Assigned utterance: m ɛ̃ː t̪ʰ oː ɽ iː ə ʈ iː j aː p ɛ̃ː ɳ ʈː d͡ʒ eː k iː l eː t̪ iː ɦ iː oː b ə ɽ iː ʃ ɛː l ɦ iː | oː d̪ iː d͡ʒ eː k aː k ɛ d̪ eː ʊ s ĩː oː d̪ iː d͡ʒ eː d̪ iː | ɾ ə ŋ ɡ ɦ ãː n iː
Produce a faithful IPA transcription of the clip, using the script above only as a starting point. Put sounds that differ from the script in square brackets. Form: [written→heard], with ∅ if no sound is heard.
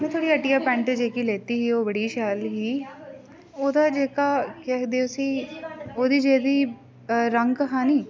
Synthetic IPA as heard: m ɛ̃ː t̪ʰ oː ɽ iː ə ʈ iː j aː p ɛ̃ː ɳ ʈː d͡ʒ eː k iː l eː t̪ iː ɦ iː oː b ə ɽ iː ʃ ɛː l ɦ iː | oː d̪ [iː→aː] d͡ʒ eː k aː k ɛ d̪ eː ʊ s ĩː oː d̪ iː d͡ʒ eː d̪ iː | ɾ ə ŋ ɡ ɦ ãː n iː